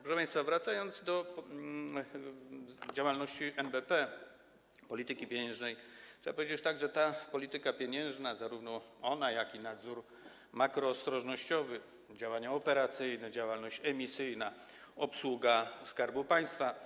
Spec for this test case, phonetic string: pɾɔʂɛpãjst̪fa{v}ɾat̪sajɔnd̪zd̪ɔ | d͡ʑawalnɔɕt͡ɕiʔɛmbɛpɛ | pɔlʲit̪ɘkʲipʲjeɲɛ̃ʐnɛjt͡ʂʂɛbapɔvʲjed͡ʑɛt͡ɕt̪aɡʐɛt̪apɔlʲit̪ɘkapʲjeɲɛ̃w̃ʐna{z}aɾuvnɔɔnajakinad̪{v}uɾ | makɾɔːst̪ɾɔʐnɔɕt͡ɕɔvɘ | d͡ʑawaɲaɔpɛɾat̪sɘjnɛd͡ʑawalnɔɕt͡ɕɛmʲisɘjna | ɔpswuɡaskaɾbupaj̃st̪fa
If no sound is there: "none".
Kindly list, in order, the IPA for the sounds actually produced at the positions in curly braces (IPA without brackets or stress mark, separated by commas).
v, z, z